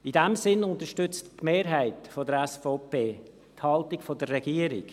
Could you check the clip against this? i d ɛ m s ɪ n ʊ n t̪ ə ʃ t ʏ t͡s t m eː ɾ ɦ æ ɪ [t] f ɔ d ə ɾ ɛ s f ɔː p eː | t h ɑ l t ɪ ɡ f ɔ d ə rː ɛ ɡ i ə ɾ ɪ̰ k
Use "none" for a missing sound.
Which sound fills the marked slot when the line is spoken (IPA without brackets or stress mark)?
t